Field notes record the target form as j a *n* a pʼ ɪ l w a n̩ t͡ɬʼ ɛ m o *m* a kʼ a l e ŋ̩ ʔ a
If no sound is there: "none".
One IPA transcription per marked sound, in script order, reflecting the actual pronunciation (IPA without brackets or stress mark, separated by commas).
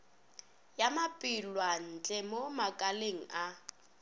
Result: m, m